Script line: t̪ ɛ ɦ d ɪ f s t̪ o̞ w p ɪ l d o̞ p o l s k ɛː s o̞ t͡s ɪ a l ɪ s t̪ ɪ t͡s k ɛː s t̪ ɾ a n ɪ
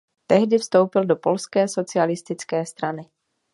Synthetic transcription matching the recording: t̪ ɛ ɦ d ɪ f s t̪ o̞ w p ɪ l d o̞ p o l s k ɛː s o̞ t͡s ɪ a l ɪ s t̪ ɪ t͡s k ɛː s t̪ ɾ a n ɪ